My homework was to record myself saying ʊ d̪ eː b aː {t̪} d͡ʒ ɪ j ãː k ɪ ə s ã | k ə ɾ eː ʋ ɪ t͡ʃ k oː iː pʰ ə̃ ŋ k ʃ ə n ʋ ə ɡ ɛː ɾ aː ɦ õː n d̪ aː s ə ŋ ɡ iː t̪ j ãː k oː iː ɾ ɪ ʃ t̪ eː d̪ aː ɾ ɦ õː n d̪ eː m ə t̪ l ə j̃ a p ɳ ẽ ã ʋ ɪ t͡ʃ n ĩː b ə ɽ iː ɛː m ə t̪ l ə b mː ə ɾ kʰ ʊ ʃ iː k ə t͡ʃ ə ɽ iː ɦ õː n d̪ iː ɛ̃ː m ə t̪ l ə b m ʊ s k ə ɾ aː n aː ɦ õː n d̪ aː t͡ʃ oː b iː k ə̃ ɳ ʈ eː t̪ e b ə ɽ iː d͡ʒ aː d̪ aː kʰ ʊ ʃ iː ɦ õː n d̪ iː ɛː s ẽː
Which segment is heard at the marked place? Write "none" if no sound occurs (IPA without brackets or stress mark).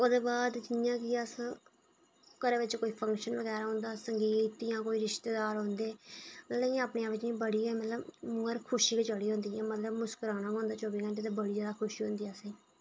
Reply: d̪